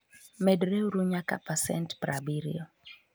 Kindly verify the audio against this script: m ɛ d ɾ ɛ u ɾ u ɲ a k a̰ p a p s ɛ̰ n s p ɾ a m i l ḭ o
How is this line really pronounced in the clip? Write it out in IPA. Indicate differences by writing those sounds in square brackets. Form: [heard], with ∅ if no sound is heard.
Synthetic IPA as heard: m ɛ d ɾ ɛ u ɾ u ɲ a k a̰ p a [∅] s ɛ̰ n [t] p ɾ a [b] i [ɾ] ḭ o